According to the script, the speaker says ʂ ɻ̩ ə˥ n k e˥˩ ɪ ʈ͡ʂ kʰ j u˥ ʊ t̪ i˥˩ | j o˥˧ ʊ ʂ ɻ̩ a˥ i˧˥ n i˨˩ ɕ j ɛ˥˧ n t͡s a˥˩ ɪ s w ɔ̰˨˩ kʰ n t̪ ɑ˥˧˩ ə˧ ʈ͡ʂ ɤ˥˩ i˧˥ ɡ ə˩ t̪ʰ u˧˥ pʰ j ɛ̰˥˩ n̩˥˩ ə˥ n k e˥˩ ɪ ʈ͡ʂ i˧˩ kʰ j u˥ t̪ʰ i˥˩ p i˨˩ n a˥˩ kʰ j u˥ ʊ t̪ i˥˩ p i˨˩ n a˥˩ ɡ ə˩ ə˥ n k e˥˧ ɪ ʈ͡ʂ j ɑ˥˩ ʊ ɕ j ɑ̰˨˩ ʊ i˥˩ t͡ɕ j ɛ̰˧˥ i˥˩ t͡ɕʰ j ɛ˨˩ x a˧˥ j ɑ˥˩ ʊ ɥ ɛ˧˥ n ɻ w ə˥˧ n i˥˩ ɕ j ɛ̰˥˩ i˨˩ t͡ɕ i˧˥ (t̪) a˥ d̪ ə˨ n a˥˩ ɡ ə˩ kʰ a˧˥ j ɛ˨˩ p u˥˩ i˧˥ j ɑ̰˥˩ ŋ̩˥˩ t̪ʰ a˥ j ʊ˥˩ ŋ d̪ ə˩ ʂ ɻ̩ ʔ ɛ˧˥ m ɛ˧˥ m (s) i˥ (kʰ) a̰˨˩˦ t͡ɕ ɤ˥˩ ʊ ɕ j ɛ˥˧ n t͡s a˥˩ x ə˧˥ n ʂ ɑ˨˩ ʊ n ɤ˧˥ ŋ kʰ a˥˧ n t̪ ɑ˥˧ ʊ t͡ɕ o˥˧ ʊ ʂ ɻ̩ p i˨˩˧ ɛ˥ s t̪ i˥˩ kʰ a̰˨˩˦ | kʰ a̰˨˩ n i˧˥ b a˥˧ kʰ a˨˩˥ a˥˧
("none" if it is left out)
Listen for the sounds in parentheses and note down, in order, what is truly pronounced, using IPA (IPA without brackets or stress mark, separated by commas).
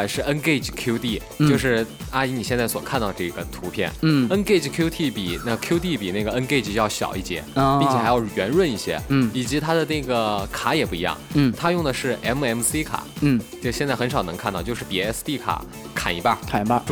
t̪ʰ, s, kʰ